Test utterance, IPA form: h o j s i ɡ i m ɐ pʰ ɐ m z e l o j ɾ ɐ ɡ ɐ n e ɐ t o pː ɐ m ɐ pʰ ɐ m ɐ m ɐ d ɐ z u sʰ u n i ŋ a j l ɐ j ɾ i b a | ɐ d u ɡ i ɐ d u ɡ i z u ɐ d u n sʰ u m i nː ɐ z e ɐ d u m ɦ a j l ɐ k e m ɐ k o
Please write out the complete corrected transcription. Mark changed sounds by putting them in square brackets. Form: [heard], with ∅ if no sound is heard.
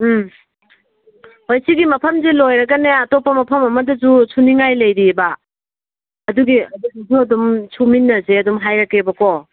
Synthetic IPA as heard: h o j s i ɡ i m ɐ pʰ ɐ m z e l o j ɾ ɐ ɡ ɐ n e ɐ t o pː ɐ m ɐ pʰ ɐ m ɐ m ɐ d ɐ z u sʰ u n i ŋ a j l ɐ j ɾ i b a | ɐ d u ɡ i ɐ d u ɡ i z u ɐ d u [m] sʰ u m i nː ɐ z e ɐ d u m ɦ a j [ɾ] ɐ k e [b] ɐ k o